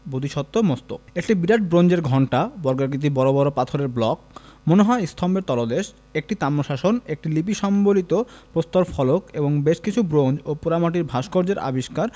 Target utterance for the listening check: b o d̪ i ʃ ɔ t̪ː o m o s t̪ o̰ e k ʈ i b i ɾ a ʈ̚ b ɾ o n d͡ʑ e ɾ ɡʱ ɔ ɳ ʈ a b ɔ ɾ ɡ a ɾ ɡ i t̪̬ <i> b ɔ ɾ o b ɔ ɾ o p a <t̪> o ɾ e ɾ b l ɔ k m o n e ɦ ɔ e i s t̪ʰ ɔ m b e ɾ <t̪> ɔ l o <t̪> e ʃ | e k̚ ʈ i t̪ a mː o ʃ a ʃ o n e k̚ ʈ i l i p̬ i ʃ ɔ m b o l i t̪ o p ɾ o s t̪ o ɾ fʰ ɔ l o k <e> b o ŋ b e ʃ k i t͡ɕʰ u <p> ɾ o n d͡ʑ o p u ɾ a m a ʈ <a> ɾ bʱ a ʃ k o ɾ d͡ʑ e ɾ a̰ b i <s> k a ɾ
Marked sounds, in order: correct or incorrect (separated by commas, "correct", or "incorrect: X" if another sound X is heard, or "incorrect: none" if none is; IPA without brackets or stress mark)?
correct, incorrect: t̪ʰ, correct, incorrect: d̪, correct, incorrect: b, incorrect: i, incorrect: ʃ